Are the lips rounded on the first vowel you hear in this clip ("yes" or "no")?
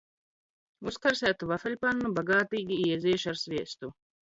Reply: yes